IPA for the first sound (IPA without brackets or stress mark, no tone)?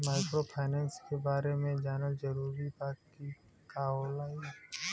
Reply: m